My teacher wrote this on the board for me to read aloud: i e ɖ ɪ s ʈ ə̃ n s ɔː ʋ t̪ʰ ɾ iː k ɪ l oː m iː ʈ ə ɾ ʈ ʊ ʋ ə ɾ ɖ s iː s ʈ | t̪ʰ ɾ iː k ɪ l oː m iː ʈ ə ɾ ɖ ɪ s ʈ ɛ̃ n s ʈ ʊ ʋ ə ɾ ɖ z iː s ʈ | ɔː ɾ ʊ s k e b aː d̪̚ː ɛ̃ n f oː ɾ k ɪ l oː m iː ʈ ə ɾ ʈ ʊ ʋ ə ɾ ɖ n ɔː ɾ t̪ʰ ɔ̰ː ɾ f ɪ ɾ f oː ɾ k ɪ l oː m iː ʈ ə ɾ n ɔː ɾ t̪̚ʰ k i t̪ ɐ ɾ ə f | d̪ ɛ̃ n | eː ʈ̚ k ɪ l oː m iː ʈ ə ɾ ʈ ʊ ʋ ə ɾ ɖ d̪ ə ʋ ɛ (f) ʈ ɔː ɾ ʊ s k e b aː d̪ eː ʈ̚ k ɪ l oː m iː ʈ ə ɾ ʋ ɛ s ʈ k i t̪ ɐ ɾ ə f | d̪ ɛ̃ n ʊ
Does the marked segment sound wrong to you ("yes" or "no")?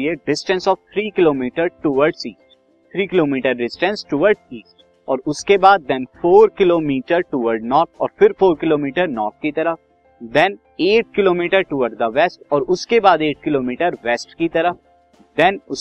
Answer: yes